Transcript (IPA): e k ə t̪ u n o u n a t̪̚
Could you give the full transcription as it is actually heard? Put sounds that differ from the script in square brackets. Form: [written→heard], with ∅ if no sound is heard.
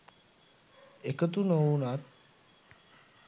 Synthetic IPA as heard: e k ə t̪ u n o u n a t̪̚